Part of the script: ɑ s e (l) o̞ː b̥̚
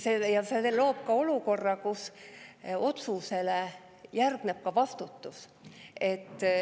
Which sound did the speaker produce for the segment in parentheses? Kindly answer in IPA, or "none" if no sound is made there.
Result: l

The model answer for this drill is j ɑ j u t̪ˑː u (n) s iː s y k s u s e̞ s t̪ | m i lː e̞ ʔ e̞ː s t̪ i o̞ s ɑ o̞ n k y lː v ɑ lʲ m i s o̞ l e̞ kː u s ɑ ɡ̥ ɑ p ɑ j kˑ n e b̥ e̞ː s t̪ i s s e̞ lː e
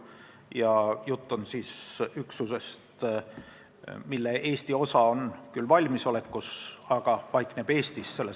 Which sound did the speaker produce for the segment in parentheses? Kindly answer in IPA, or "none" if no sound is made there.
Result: n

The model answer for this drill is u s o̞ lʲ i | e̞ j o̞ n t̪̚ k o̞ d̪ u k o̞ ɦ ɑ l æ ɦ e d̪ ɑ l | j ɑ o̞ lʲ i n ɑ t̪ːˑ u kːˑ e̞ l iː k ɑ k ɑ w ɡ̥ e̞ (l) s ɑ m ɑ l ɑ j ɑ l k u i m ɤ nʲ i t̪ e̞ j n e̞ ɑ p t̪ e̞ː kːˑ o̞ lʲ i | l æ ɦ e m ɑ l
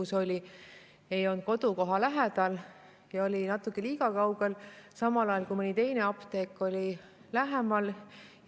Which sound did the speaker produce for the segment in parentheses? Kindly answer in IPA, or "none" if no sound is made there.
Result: l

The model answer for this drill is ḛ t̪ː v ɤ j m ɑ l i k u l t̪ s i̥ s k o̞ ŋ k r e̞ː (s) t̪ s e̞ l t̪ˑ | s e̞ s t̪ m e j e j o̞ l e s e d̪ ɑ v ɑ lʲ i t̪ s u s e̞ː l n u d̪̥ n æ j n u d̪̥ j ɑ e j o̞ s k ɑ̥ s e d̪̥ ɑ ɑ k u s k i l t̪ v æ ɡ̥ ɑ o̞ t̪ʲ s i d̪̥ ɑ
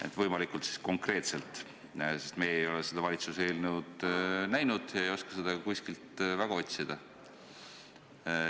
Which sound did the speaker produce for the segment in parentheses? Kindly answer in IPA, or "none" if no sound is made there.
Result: none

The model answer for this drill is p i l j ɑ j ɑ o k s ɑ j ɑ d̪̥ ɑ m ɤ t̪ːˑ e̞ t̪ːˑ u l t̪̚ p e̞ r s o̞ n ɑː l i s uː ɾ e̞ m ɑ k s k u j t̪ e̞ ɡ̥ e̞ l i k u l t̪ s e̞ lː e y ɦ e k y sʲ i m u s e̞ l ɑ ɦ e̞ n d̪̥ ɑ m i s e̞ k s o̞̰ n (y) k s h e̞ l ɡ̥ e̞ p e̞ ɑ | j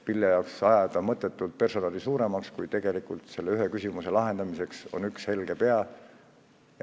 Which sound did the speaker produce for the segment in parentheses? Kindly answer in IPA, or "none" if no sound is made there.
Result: y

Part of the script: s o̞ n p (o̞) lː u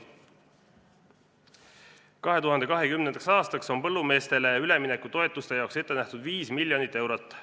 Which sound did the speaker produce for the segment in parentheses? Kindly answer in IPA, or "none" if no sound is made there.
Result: ɤ̞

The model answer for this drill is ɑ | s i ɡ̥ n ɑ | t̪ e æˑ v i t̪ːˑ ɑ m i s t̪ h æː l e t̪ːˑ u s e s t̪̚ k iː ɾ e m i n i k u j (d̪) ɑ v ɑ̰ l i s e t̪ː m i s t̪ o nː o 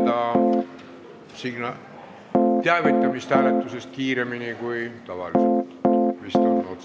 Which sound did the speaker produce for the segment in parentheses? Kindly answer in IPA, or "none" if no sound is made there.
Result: t̪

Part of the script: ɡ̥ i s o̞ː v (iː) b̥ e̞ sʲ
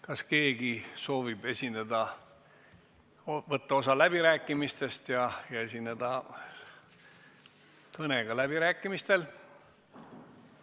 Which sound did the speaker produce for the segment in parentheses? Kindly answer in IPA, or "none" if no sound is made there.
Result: i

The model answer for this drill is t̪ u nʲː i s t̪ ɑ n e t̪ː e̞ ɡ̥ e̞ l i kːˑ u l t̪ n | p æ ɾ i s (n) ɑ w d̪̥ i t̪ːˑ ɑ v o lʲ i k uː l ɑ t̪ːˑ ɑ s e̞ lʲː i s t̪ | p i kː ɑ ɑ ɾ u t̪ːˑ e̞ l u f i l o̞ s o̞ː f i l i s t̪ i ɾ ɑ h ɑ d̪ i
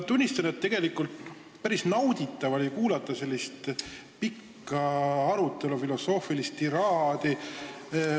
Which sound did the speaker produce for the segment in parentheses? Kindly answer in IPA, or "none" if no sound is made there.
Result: n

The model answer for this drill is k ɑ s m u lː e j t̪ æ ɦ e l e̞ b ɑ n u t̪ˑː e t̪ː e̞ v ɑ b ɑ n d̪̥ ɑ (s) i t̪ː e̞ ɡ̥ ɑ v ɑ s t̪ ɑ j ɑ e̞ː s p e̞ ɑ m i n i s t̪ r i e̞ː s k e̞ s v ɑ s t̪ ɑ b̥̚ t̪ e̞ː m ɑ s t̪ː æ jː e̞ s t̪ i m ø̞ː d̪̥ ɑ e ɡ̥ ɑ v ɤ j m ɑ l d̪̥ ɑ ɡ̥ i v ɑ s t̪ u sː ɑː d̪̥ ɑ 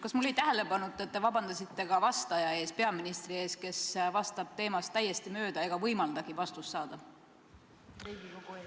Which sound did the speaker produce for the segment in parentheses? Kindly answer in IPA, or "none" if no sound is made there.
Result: s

